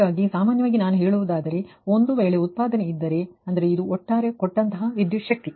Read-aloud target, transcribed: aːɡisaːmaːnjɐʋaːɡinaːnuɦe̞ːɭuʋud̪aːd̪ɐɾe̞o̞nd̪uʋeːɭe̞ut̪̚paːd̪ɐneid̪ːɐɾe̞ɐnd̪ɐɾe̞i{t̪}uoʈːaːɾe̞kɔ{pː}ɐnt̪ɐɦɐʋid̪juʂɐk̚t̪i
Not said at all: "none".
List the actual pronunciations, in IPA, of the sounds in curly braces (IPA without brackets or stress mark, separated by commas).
d̪, ʈː